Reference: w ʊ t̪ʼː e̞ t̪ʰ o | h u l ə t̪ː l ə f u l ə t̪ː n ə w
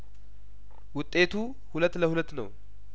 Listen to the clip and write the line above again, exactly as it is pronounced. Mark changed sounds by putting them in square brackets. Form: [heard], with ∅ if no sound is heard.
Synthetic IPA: w ʊ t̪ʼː e̞ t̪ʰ [u] | h u l ə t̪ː l ə [h] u l ə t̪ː n ə w